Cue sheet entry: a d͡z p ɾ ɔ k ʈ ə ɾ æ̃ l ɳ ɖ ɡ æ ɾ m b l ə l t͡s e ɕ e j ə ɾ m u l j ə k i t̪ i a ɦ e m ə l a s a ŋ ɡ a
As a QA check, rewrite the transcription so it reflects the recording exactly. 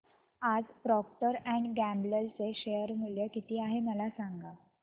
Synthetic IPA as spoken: a d͡z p ɾ ɔ k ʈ ə ɾ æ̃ ɳ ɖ ɡ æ m b l ə l t͡s e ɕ e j ə ɾ m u l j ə k i t̪ iː a ɦ e m ə l a s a ŋ ɡ a